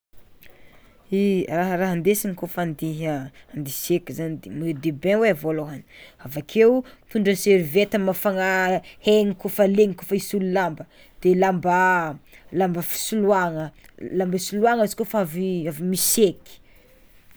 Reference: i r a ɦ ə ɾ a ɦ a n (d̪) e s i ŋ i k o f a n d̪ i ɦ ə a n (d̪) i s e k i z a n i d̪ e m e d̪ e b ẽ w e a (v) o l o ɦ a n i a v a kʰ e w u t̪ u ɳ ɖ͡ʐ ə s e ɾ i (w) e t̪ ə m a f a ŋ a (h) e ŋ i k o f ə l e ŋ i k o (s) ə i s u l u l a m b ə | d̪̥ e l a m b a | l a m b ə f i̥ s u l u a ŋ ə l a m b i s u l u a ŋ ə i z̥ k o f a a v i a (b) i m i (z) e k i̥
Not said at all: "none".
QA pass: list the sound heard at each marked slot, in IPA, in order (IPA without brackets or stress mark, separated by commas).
d̪, d̪, v, v, h, f, v, s